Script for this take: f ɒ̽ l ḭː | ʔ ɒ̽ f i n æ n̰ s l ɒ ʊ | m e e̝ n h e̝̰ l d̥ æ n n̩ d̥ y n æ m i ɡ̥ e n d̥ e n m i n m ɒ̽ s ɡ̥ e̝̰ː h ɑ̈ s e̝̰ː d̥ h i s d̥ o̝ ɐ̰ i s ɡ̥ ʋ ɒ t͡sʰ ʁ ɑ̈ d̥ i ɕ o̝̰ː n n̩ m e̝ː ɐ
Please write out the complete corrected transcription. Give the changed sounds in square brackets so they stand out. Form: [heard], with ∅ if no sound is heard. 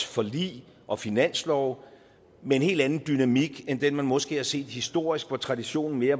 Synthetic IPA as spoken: f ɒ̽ l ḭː | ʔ ɒ̽ f i n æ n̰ s l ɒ ʊ | m e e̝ n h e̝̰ l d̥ æ n n̩ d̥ y n æ m i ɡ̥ e n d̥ e n m [æ] n m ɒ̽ s ɡ̥ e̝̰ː h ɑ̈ s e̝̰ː d̥ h i s d̥ o̝ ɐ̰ i s ɡ̥ ʋ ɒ t͡sʰ ʁ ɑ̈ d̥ i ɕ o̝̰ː n n̩ m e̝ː ɐ